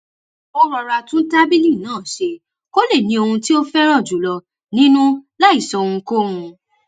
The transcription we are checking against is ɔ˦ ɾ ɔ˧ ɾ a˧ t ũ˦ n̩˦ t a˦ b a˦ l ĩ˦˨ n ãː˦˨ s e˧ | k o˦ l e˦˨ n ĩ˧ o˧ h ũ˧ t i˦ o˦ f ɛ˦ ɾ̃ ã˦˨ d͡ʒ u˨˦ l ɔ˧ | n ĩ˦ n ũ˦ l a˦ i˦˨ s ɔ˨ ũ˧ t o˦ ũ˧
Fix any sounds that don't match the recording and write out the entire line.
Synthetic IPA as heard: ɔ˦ ɾ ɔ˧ ɾ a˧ t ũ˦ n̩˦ t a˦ b i˦ l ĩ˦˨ n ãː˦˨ ʃ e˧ | k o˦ l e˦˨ n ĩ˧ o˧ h ũ˧ t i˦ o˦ f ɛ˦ ɾ̃ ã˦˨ d͡ʒ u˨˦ l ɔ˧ | n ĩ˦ n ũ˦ l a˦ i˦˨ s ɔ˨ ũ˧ k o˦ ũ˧